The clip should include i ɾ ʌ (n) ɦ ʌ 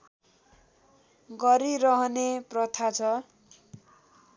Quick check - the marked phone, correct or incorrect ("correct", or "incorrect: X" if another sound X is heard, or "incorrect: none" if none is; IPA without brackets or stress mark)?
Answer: incorrect: none